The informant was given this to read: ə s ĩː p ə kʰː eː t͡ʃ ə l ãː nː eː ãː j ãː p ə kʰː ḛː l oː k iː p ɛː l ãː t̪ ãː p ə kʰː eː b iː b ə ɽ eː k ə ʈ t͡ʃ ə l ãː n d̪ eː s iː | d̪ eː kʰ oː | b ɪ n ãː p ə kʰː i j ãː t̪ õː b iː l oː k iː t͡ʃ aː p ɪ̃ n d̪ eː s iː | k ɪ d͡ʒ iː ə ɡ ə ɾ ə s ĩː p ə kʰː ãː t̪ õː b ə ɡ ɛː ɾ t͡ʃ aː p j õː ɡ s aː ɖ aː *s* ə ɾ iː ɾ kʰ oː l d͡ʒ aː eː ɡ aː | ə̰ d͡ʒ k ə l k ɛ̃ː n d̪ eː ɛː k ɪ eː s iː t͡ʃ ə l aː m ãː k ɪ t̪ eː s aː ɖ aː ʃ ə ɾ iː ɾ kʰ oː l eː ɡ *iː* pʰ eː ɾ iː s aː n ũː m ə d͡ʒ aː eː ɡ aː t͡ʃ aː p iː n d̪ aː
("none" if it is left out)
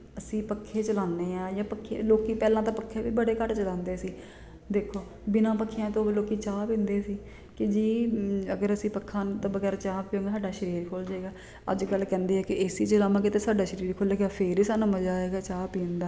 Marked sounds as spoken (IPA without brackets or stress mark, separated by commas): ʃ, aː